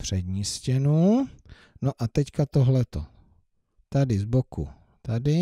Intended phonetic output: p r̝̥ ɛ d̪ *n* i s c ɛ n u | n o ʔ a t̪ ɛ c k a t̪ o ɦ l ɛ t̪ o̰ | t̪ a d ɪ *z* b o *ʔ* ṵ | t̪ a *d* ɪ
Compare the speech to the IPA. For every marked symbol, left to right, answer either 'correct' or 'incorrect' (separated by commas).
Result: incorrect, correct, incorrect, correct